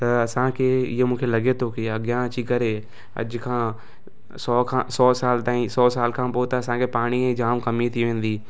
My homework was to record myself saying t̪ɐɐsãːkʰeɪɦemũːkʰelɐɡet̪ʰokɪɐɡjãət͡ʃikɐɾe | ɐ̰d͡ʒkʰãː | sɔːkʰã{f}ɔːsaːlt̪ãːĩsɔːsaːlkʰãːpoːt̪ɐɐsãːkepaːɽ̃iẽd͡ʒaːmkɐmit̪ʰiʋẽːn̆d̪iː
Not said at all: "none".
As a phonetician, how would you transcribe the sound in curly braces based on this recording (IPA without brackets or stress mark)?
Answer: s